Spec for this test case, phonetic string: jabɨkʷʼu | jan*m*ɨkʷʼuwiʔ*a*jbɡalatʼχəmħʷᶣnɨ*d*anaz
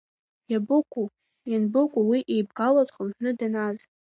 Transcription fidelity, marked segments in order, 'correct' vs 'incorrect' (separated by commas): incorrect, incorrect, correct